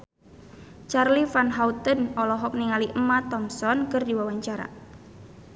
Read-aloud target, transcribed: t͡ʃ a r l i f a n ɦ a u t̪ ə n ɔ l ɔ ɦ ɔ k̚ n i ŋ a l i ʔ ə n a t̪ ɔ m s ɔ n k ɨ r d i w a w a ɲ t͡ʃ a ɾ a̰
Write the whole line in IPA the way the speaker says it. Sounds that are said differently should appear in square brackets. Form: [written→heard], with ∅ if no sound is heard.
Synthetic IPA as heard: t͡ʃ a r l i f a n ɦ a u t̪ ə n ɔ l ɔ ɦ ɔ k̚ n i ŋ a l i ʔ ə [n→m] a t̪ ɔ m s ɔ n k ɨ r d i w a w a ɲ t͡ʃ a ɾ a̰